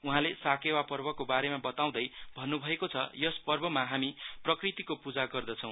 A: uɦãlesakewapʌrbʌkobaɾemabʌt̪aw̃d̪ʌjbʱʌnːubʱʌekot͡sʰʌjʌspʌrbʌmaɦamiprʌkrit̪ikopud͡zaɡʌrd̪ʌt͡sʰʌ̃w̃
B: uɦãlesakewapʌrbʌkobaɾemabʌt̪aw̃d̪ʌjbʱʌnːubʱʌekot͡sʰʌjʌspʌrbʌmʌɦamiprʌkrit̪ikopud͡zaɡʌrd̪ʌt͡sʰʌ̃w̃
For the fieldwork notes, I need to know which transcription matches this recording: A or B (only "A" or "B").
A